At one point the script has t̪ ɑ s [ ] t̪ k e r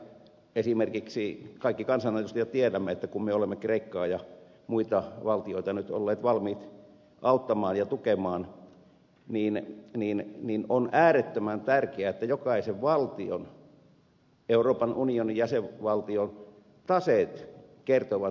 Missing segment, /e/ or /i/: e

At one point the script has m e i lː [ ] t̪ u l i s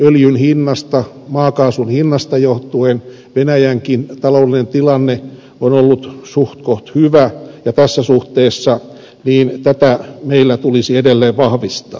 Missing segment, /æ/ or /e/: æ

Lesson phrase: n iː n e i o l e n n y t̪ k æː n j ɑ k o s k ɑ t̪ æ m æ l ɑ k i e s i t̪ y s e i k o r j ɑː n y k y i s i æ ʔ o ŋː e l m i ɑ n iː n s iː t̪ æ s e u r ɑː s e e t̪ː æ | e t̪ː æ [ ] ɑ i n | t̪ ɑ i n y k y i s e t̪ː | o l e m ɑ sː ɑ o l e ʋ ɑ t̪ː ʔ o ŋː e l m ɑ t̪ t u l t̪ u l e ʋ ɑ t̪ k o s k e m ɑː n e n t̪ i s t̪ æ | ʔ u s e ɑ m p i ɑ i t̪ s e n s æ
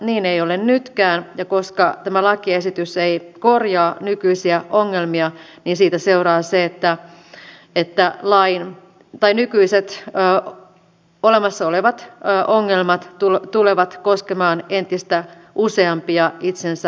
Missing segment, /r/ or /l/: l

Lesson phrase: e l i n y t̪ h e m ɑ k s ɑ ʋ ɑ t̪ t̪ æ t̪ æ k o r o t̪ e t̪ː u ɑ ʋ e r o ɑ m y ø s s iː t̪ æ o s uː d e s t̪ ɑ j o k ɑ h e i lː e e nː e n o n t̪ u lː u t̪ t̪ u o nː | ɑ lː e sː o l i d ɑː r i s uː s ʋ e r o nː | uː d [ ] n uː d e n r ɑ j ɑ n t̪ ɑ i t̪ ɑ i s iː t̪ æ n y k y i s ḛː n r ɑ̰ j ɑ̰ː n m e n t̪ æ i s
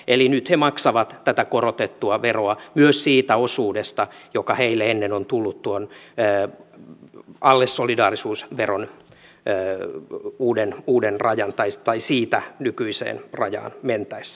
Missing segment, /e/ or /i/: e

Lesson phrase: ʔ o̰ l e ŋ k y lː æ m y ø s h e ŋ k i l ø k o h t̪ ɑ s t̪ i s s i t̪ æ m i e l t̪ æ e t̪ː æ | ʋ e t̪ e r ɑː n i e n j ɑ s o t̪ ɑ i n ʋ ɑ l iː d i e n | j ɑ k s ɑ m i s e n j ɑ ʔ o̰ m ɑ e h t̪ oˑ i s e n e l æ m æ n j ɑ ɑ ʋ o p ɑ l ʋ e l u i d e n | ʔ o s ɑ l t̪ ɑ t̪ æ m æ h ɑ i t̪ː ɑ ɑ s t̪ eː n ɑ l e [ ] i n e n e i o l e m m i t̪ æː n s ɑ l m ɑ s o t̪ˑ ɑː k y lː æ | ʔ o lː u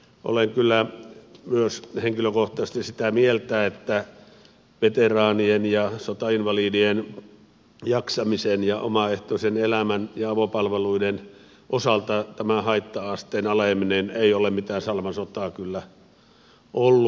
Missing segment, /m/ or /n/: m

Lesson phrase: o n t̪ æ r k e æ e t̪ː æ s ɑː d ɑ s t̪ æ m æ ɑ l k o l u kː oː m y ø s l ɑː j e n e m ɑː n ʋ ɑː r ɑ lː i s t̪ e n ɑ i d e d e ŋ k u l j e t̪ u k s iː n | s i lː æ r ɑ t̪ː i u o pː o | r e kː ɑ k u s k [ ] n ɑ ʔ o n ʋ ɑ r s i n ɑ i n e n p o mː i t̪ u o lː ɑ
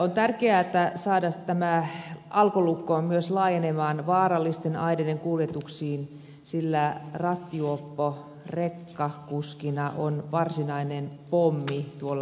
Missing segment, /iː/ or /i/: i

